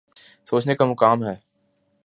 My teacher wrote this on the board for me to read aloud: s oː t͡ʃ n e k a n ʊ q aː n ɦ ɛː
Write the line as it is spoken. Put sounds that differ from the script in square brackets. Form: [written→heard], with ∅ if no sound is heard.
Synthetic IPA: s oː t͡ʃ n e k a [n→m] ʊ [q→k] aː [n→m] ɦ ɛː